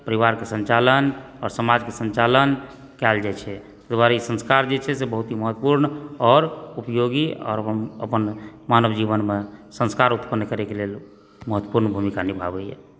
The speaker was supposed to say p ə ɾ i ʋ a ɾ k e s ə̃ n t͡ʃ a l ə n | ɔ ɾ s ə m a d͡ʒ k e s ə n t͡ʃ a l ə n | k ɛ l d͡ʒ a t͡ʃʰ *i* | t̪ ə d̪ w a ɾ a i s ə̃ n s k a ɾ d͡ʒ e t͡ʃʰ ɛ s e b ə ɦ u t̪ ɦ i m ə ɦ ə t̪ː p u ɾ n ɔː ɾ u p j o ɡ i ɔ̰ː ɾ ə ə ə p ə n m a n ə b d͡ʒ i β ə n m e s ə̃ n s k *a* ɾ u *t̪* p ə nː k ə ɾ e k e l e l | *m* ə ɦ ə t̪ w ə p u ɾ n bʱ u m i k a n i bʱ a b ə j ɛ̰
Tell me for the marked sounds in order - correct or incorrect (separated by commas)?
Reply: incorrect, correct, correct, correct